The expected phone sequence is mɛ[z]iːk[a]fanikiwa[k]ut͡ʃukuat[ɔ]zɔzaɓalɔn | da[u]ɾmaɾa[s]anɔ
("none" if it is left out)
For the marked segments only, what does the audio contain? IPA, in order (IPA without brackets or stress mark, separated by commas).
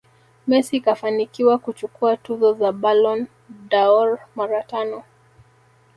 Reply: s, a, k, u, ɔ, t